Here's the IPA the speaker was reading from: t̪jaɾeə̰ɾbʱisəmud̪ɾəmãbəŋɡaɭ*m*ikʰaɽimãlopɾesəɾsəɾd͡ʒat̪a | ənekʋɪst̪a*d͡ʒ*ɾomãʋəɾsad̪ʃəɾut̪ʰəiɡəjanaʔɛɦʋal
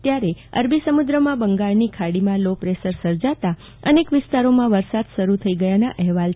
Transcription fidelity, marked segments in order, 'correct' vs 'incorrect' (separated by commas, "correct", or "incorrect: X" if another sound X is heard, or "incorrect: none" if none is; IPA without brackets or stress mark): incorrect: n, incorrect: none